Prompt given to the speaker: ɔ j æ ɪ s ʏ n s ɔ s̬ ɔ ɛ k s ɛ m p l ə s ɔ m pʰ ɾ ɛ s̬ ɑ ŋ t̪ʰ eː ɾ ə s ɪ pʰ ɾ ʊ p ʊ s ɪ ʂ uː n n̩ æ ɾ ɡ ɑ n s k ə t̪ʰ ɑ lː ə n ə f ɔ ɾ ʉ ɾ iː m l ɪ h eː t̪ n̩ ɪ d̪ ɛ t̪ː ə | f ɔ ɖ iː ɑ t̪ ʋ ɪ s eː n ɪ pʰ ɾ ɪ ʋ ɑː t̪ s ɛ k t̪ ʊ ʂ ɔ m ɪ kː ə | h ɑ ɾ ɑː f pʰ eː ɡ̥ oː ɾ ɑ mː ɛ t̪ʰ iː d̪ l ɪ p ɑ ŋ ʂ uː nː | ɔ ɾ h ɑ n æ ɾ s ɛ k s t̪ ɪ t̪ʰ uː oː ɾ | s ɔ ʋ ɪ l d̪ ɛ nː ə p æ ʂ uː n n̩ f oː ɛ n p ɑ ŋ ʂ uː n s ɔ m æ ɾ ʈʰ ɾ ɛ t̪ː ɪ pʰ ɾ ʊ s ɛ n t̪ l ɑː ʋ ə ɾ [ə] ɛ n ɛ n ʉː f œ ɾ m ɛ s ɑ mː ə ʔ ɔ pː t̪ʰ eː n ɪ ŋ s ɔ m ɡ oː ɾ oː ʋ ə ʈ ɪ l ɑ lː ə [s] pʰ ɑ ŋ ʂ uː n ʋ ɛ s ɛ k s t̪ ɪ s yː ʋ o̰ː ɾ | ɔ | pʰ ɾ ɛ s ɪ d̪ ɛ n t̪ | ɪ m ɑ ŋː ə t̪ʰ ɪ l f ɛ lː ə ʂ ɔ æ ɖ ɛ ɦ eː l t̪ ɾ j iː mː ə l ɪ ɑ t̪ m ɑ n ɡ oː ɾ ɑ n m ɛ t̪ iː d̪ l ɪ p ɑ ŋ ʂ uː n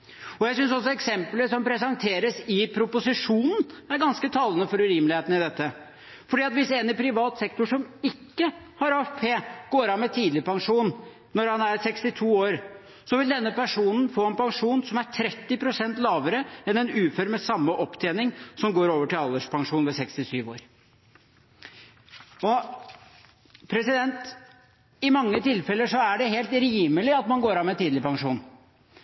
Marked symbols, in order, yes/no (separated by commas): yes, no